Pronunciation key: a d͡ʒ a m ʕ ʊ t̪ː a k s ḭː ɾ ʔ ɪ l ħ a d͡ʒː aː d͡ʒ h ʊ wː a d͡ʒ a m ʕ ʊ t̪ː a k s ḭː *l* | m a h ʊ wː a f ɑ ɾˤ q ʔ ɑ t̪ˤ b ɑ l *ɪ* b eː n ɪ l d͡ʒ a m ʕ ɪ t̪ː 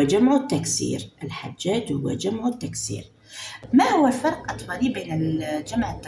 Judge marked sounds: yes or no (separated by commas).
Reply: no, no